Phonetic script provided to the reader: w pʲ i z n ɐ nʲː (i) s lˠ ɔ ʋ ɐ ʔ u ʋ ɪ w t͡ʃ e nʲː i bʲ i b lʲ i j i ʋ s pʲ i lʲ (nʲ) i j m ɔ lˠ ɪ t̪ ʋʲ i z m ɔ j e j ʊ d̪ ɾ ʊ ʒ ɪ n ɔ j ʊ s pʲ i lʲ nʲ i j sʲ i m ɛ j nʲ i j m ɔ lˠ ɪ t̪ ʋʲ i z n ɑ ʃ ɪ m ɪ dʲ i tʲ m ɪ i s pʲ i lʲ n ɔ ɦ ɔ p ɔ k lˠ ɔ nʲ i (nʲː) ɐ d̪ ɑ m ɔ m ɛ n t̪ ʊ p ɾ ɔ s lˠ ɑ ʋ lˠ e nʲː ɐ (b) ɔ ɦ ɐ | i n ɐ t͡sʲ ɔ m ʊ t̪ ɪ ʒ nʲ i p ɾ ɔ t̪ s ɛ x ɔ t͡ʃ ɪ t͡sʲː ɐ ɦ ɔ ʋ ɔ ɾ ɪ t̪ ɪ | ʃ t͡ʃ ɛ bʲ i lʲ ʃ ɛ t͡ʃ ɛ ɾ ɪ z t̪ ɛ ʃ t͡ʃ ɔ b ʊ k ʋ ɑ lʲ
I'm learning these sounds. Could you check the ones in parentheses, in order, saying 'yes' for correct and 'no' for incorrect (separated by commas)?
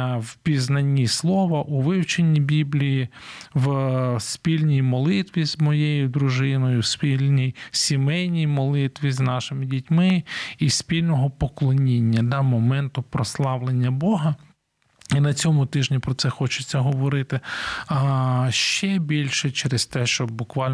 yes, yes, yes, yes